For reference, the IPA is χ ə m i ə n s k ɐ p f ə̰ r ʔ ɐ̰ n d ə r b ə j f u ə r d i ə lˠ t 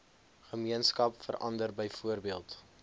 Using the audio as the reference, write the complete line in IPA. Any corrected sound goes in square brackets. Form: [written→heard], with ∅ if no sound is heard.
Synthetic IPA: χ ə m i ə n s k ɐ p f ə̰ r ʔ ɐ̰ n d ə r b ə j f u ə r [d→b] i ə lˠ t